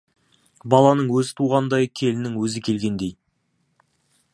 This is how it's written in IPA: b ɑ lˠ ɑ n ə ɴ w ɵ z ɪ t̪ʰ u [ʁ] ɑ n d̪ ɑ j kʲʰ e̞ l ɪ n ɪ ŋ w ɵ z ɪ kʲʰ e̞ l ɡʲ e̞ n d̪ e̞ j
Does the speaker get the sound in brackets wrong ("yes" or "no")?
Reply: no